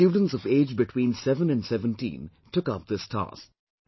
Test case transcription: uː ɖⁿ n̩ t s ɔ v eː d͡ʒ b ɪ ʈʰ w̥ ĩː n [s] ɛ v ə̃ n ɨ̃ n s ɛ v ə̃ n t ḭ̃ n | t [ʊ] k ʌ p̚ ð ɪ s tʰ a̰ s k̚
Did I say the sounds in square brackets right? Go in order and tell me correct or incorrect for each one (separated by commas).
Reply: correct, correct